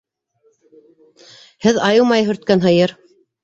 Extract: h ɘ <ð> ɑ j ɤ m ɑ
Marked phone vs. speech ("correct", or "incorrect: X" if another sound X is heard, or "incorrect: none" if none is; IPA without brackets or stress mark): correct